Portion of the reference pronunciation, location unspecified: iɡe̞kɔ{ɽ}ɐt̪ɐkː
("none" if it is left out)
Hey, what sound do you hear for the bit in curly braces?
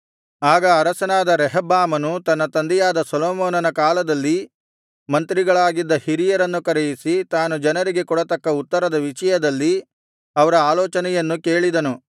ɽ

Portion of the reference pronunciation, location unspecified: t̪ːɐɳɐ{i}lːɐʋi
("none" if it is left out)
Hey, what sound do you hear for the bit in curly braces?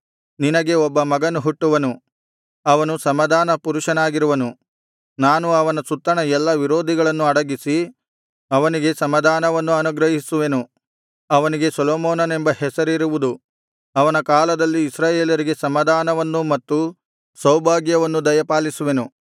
ɛ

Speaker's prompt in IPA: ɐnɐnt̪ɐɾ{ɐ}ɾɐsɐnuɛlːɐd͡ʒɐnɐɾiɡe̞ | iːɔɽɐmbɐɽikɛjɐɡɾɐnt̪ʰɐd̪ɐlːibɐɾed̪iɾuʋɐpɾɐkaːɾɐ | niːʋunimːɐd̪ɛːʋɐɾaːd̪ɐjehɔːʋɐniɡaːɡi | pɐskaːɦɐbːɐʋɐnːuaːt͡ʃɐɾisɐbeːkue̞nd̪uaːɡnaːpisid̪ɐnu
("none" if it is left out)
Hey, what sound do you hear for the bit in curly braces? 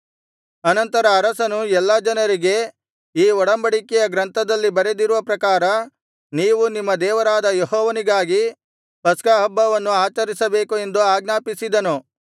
ɐː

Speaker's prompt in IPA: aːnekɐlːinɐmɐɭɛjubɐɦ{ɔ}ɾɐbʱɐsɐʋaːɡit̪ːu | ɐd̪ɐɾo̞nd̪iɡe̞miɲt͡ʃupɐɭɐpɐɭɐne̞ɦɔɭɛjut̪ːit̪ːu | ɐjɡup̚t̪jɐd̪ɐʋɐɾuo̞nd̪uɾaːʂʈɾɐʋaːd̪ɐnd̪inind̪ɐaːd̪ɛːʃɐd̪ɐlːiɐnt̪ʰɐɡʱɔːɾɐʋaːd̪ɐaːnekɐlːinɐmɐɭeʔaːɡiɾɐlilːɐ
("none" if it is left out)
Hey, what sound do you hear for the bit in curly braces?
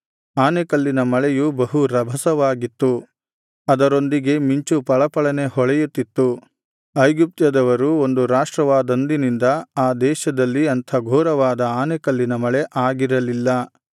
u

